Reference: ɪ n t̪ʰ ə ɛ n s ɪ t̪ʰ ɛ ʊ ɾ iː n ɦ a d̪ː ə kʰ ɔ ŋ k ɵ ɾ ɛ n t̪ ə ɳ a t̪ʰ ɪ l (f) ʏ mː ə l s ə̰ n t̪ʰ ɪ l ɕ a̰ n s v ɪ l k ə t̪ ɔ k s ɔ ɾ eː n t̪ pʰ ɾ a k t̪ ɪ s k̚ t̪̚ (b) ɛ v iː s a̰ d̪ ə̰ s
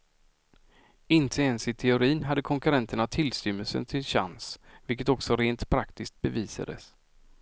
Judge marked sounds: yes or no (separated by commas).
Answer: no, yes